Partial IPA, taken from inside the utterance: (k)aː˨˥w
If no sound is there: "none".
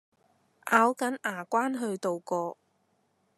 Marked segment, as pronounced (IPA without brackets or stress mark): ʔ